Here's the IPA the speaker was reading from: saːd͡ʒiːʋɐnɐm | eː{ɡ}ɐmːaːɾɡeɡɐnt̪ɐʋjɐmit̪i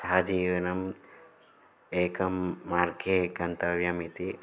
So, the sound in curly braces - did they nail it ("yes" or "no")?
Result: no